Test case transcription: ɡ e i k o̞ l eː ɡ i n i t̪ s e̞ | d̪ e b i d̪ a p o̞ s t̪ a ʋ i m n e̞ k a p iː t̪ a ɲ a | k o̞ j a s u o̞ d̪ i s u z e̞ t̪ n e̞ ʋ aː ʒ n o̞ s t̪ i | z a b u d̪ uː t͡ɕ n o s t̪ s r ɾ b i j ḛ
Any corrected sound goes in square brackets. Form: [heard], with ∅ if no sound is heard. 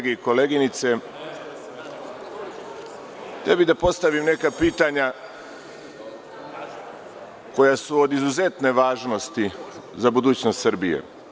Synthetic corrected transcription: ɡ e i k o̞ l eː ɡ i n i t̪ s e̞ | [t̪] e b i d̪ a p o̞ s t̪ a ʋ i m n e̞ k a p iː t̪ a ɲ a | k o̞ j a s u o̞ d̪ i [z] u z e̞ t̪ n e̞ ʋ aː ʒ n o̞ s t̪ i | z a b u d̪ uː t͡ɕ n o s t̪ s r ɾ b i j ḛ